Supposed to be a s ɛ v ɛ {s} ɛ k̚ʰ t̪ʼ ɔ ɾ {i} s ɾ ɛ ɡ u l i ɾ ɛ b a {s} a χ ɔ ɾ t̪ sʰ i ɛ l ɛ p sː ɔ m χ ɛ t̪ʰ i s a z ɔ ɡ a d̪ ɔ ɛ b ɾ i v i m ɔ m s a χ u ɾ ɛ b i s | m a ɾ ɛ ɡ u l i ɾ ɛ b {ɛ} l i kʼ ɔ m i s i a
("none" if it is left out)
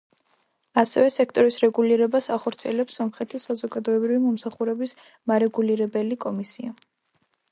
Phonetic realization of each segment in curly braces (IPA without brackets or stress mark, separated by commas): s, i, s, ɛ